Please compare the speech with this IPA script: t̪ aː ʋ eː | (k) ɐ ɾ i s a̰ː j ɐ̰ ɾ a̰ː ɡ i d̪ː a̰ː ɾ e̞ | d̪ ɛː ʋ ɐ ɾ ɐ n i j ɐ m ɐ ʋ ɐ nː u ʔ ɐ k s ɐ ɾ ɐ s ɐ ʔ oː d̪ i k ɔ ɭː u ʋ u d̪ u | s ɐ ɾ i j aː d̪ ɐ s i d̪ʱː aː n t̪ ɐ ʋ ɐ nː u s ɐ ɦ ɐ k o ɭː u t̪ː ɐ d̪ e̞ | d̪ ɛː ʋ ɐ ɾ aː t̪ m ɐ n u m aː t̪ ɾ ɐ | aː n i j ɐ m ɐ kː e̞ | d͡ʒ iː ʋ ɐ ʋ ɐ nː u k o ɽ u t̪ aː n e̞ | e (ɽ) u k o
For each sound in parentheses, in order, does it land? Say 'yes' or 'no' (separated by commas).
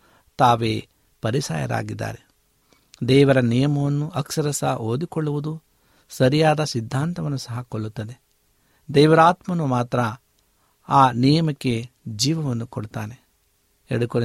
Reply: no, yes